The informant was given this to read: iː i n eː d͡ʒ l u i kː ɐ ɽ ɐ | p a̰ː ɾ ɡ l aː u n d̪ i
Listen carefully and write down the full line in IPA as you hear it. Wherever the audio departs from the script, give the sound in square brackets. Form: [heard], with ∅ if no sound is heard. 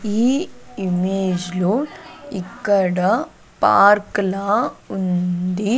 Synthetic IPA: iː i [m] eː d͡ʒ l u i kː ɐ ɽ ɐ | p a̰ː ɾ [k] l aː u n d̪ i